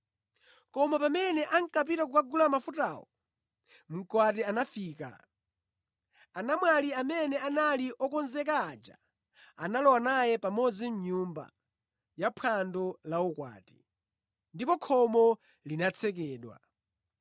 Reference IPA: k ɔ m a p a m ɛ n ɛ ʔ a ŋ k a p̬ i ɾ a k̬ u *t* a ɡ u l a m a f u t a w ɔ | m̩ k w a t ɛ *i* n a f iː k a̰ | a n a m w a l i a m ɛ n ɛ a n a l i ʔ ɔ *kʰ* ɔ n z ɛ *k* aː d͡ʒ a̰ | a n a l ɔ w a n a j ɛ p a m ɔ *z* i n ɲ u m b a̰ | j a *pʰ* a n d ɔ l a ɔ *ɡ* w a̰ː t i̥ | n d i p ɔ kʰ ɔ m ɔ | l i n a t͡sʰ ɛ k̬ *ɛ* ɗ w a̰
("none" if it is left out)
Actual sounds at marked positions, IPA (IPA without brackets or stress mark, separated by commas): k, a, k, k, d͡z, pʰ, k, ɛː